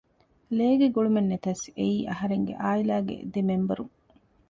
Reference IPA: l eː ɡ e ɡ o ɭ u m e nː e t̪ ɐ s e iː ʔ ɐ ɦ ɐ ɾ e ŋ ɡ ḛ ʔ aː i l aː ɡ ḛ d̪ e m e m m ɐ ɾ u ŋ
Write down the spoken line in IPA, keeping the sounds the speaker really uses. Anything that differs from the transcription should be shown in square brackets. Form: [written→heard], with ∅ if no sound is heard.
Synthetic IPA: l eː ɡ e ɡ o ɭ u m e nː e t̪ ɐ s e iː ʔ ɐ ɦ ɐ ɾ e ŋ ɡ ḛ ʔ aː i l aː ɡ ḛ d̪ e m e m [m→b] ɐ ɾ u ŋ